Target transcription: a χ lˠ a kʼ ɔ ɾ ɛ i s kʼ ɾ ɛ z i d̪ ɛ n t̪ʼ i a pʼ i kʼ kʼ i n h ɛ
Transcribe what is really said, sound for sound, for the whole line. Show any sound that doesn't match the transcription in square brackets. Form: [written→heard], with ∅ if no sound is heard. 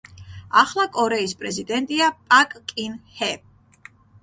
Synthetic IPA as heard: a χ lˠ a kʼ ɔ ɾ ɛ i s [kʼ→pʼ] ɾ ɛ z i d̪ ɛ n t̪ʼ i a pʼ [i→a] kʼ kʼ i n h ɛ